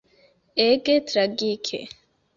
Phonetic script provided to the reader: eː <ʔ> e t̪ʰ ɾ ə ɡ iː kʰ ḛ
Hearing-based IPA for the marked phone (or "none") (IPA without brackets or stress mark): k